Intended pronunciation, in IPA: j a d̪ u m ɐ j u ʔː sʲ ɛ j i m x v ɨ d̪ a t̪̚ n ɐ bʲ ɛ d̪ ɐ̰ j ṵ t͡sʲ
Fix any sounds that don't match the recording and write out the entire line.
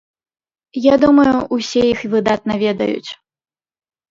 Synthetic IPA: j a d̪ u m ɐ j u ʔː sʲ ɛ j i x v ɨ d̪ a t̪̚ n ɐ vʲ ɛ d̪ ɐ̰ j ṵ t͡sʲ